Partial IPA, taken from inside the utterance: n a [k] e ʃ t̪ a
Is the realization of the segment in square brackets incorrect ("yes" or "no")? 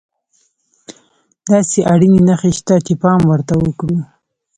yes